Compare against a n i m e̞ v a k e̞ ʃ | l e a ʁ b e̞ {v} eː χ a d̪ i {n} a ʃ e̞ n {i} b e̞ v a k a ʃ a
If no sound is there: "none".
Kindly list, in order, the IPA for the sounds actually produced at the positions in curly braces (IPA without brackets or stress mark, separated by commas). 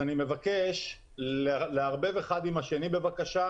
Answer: v, m, i